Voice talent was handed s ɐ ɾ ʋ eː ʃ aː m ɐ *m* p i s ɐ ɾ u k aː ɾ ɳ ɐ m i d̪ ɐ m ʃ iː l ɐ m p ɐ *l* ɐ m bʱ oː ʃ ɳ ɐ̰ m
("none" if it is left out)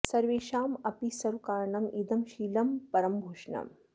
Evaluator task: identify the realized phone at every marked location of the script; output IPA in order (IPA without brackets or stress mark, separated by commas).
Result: none, ɾ